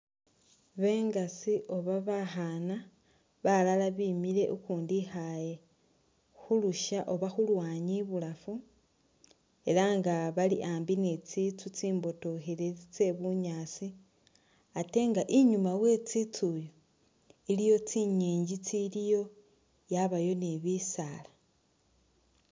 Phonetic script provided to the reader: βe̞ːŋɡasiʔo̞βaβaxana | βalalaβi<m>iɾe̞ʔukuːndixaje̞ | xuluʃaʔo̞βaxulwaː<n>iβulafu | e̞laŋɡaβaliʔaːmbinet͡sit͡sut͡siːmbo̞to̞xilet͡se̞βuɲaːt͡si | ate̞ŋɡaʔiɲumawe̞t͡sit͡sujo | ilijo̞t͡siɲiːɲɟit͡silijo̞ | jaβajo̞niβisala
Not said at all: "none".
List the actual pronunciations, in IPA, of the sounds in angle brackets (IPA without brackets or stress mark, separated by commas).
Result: m, ɲ